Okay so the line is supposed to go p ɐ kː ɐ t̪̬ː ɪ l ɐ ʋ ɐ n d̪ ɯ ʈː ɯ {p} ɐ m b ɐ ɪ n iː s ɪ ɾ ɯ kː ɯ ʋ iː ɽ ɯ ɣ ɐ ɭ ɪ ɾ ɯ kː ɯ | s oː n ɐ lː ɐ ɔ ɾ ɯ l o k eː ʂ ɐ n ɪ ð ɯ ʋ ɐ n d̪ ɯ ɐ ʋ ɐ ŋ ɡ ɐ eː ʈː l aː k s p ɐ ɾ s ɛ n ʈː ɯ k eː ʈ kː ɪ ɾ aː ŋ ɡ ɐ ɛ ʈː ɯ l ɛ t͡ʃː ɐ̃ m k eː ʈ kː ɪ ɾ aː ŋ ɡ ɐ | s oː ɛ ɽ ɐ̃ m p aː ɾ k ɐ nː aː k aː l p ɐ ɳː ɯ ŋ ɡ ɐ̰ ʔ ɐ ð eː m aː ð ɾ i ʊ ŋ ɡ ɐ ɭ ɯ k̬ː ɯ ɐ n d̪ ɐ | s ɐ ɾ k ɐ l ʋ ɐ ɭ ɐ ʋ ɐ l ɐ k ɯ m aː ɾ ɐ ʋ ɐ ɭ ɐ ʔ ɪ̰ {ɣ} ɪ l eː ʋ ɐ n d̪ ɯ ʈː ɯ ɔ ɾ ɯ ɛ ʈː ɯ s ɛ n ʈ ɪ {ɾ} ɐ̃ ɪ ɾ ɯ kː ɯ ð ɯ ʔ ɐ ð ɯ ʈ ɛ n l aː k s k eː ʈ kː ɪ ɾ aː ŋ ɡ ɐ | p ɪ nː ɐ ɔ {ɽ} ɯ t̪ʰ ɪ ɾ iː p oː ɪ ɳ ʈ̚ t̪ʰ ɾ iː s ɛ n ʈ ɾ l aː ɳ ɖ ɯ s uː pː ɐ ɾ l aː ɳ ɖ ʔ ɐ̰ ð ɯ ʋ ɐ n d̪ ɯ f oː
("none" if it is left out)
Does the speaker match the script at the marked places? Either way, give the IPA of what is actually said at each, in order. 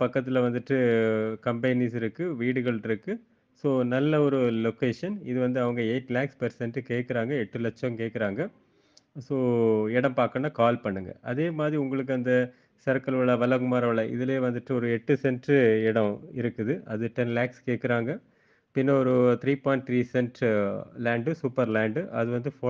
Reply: k, ð, ɽ, ɾ

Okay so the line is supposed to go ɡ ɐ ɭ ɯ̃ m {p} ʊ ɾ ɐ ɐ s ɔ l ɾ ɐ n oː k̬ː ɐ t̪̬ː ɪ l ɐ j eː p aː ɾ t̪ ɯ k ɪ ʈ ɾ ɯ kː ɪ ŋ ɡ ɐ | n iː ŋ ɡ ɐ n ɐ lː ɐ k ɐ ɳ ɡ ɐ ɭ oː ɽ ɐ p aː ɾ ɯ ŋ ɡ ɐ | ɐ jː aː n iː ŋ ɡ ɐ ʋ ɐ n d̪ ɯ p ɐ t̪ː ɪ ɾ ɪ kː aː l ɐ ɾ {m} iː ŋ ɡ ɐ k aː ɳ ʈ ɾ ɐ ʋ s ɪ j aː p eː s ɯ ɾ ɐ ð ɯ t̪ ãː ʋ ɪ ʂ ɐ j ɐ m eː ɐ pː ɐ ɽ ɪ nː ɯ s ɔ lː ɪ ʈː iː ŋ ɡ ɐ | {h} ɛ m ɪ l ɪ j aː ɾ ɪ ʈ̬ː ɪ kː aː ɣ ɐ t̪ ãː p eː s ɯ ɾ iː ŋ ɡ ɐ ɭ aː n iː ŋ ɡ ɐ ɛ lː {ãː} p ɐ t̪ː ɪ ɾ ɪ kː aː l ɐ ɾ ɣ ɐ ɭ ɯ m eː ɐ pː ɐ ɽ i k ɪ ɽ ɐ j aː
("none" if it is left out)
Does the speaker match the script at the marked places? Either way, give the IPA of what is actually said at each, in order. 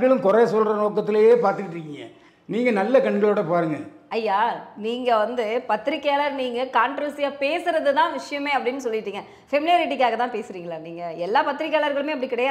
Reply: k, n, f, aː

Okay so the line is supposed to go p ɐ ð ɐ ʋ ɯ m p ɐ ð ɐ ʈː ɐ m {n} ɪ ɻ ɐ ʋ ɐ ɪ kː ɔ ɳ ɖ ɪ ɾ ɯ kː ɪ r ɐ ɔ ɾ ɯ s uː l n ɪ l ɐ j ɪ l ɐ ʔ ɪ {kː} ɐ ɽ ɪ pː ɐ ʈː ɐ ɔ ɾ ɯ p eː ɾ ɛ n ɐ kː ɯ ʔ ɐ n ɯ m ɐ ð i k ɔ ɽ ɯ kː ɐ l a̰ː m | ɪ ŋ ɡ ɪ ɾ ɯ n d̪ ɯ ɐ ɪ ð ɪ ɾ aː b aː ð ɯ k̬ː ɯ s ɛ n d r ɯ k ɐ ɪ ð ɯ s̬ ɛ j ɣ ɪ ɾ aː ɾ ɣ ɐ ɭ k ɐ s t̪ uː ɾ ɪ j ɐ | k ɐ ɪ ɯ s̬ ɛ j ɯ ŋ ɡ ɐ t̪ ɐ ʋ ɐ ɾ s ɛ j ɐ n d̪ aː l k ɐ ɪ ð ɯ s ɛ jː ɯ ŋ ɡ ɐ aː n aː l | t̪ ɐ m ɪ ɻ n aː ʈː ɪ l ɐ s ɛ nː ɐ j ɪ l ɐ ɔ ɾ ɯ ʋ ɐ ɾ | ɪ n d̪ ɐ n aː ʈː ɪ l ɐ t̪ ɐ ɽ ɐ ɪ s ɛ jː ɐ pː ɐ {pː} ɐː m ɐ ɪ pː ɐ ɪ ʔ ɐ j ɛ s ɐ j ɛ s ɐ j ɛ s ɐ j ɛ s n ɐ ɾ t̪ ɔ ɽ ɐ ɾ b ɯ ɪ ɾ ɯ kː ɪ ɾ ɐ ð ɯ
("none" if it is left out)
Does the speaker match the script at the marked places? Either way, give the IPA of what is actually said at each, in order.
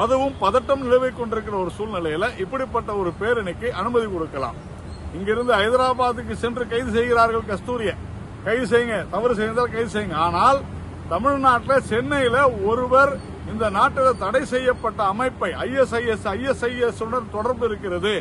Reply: n, pː, ʈː

